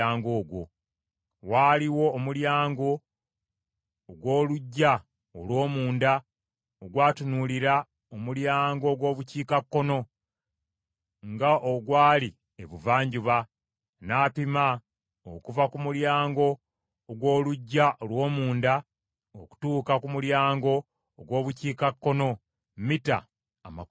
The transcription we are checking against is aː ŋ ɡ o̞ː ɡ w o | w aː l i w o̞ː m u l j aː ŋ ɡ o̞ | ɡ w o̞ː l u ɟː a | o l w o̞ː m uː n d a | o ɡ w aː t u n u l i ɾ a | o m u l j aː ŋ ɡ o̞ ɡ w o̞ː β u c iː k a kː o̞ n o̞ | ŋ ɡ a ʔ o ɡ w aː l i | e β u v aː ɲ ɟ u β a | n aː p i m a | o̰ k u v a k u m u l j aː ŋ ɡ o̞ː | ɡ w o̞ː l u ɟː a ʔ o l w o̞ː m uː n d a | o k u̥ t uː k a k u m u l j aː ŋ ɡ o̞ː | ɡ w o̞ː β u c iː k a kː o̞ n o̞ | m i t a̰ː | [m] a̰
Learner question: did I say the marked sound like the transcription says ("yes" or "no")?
yes